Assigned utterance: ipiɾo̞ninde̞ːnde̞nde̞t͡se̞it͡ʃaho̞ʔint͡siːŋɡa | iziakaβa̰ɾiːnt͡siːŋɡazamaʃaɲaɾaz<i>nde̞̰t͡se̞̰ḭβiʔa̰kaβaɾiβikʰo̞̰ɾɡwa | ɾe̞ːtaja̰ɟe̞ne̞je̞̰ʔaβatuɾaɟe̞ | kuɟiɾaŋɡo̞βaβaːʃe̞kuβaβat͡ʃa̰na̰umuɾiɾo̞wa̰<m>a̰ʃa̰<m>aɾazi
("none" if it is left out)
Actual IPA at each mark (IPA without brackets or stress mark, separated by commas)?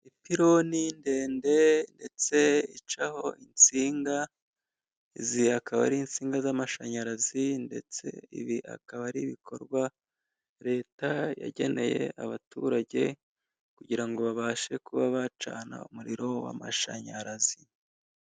i, m, ɲ